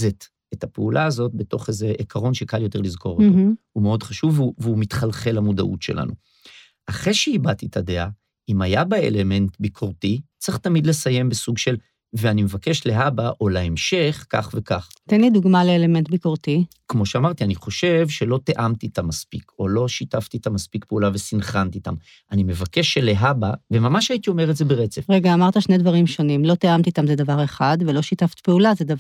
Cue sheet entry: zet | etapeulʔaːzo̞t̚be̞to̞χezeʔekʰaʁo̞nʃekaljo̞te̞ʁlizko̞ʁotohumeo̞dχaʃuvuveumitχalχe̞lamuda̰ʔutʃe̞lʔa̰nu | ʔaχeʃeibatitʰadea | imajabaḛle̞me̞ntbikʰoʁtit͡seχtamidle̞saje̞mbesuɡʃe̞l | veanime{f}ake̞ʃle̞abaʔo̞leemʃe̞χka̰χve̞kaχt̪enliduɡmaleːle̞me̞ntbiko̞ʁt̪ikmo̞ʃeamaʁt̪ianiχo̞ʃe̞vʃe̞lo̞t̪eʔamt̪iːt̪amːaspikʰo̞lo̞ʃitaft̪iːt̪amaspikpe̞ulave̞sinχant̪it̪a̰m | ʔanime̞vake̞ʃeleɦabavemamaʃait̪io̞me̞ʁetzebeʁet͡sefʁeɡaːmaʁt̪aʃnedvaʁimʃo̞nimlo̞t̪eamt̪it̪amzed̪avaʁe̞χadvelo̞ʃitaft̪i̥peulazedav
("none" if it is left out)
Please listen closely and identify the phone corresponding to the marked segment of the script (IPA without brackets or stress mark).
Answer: v